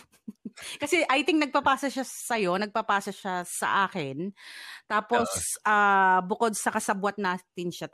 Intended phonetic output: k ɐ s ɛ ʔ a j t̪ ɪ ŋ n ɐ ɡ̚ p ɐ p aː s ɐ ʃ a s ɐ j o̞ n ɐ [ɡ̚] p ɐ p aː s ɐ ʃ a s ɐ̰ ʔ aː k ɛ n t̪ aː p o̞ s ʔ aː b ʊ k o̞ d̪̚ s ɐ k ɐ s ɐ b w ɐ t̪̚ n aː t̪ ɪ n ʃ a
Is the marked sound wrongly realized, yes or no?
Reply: no